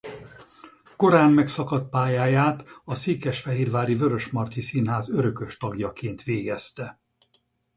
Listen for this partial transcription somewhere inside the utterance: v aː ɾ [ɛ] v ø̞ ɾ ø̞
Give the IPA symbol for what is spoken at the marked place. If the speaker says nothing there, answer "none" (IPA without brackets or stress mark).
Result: i